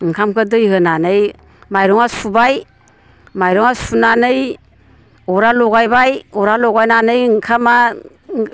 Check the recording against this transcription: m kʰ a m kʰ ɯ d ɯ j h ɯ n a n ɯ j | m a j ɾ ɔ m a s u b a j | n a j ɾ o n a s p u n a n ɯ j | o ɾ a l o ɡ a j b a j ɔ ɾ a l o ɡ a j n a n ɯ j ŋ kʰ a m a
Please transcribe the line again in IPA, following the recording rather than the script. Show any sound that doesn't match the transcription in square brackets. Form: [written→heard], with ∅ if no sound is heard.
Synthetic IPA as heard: [m→ŋ] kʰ a m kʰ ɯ d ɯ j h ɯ n a n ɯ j | m a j ɾ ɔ [m→ŋ] a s u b a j | [n→m] a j ɾ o [n→ŋ] a s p u n a n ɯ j | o ɾ a l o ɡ a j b a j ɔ ɾ a l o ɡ a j n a n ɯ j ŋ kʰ a m a